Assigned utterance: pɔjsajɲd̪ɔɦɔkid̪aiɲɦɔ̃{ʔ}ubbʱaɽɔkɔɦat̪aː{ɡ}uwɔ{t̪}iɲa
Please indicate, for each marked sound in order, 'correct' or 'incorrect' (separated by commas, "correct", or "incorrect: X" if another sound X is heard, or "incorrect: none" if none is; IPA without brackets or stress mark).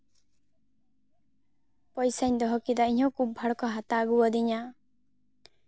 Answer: incorrect: k, correct, incorrect: d̪